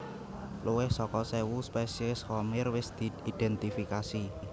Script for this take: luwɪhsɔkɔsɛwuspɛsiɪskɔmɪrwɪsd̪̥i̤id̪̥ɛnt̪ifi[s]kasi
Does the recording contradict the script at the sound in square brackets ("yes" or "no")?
yes